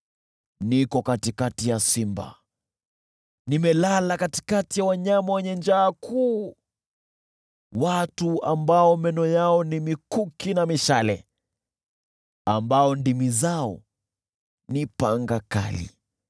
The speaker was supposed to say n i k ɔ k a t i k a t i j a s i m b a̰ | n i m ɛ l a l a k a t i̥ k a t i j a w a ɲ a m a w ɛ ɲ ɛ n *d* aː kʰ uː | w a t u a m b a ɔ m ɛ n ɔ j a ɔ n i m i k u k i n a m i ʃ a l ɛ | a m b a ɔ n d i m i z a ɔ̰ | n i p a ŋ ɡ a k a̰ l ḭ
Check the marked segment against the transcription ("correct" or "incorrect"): incorrect